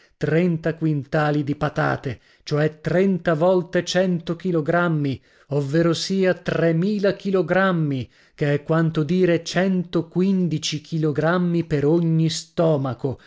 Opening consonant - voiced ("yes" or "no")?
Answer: no